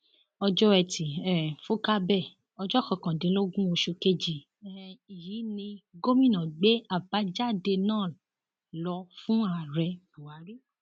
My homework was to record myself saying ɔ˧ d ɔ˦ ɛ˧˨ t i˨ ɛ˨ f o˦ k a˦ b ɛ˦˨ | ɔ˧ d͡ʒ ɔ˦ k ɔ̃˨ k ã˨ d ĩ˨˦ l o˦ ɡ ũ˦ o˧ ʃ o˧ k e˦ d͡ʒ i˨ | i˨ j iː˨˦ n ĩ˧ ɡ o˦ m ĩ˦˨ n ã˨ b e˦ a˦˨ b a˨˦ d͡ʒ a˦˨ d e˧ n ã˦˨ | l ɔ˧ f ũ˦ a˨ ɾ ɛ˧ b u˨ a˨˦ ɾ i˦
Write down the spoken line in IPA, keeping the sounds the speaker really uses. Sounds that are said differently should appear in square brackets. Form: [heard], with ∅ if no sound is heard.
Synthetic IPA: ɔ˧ [d͡ʒ] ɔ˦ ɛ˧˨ t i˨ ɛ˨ f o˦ k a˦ b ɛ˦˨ | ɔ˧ d͡ʒ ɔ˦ k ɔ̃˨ k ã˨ d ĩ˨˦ l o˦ ɡ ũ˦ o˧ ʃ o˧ k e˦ d͡ʒ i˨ | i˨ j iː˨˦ n ĩ˧ ɡ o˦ m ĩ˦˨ n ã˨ [ɡ͡b] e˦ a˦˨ b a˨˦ d͡ʒ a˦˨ d e˧ n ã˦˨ | l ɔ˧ f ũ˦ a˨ ɾ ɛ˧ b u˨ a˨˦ ɾ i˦

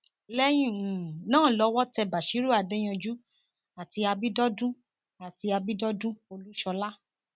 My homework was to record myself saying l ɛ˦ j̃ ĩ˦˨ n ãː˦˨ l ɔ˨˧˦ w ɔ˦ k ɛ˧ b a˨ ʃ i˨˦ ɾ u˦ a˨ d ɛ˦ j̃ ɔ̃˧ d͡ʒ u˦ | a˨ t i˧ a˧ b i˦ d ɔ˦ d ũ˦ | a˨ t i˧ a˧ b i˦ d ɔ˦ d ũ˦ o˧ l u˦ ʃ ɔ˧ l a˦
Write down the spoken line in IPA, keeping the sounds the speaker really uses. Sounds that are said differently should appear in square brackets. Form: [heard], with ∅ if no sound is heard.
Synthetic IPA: l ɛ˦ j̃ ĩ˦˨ n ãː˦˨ l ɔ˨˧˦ w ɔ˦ [t] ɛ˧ b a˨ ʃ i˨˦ ɾ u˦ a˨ d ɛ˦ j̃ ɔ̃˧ d͡ʒ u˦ | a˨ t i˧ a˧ b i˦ d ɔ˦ d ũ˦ | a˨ t i˧ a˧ b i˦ d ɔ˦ d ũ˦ o˧ l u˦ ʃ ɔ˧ l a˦

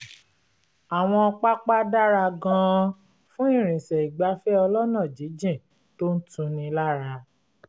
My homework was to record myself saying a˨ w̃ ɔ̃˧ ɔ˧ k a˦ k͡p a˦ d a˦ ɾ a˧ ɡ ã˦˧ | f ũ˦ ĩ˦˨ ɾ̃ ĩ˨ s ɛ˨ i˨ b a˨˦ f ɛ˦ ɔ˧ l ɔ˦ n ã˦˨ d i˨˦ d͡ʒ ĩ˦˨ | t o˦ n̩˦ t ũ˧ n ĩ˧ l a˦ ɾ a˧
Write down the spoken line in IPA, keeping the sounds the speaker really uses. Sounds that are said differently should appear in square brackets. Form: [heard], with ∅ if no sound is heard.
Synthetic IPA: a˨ w̃ ɔ̃˧ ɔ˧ [k͡p] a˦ k͡p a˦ d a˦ ɾ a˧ ɡ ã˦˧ | f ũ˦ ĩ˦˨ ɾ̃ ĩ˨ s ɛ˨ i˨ [ɡ͡b] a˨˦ f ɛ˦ ɔ˧ l ɔ˦ n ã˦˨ [d͡ʒ] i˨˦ d͡ʒ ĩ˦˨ | t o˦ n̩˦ t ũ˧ n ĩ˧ l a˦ ɾ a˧

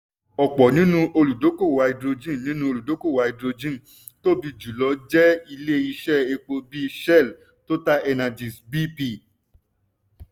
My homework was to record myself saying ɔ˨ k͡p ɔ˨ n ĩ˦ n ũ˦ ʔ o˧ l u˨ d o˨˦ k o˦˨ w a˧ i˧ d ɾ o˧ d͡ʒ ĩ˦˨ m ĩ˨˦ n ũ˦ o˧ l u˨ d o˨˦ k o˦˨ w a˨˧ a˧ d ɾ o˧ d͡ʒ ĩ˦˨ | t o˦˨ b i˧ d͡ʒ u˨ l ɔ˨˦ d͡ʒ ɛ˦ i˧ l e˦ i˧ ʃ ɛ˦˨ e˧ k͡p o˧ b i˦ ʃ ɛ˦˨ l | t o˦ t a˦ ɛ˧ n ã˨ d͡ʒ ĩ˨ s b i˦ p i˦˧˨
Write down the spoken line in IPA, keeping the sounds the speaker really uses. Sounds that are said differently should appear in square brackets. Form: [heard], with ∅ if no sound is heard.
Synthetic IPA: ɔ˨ k͡p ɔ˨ n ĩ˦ n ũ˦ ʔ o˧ l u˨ d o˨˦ k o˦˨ w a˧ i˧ d ɾ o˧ d͡ʒ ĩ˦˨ [n] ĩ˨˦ n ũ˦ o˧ l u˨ d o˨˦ k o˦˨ w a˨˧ [i˧] d ɾ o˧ d͡ʒ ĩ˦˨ | t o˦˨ b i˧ d͡ʒ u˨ l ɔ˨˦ d͡ʒ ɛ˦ i˧ l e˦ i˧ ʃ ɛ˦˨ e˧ k͡p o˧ b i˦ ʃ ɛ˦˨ l | t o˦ t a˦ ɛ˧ n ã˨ d͡ʒ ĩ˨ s b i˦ p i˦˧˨

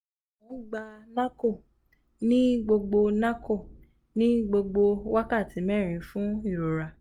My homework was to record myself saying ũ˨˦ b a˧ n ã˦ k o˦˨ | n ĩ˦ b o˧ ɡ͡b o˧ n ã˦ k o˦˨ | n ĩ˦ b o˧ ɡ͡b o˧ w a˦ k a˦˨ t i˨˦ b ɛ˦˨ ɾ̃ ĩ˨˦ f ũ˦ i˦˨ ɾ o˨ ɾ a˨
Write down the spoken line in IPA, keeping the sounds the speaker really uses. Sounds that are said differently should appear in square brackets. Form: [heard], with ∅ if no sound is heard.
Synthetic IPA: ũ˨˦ [ɡ͡b] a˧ n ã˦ k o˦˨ | n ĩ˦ [ɡ͡b] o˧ ɡ͡b o˧ n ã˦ k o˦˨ | n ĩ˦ [ɡ͡b] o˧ ɡ͡b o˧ w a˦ k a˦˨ t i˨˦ [m] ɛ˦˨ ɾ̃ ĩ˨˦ f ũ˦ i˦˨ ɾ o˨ ɾ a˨

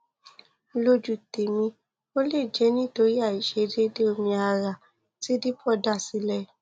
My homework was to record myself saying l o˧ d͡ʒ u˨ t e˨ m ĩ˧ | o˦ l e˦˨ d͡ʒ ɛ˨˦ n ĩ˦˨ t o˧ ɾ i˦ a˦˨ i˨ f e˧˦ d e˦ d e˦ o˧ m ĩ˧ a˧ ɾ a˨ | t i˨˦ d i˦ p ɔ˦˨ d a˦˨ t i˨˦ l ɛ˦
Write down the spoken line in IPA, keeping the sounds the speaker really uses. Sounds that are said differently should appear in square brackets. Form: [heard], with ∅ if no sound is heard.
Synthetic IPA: l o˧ d͡ʒ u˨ t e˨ m ĩ˧ | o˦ l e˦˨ d͡ʒ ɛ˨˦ n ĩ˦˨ t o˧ ɾ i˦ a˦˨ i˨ [ʃ] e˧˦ d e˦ d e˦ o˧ m ĩ˧ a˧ ɾ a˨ | t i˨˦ d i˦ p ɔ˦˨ d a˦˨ [s] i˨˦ l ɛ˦

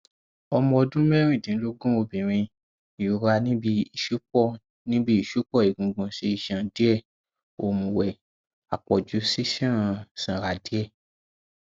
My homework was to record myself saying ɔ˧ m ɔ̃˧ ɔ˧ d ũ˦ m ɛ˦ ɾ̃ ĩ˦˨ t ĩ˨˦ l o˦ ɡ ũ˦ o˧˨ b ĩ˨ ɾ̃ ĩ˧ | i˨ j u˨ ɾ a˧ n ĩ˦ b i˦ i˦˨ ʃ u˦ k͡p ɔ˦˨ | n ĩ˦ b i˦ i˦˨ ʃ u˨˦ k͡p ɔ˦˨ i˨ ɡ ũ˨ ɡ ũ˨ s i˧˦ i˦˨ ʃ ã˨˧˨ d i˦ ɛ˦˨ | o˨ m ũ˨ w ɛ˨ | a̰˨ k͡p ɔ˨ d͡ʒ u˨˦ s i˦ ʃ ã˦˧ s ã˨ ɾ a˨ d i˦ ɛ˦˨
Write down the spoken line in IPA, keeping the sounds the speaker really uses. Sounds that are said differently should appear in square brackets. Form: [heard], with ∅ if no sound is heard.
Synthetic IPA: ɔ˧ m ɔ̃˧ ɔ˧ d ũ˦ m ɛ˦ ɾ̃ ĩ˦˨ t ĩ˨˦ l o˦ ɡ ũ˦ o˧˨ b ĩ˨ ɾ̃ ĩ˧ | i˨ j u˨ ɾ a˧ n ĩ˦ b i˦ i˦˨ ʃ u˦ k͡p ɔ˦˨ | n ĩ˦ b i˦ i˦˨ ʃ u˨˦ k͡p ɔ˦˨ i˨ ɡ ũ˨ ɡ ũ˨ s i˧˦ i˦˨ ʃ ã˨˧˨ d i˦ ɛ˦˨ | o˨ m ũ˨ w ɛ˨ | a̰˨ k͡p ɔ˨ d͡ʒ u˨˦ s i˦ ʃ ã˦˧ s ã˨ ɾ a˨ d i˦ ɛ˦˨

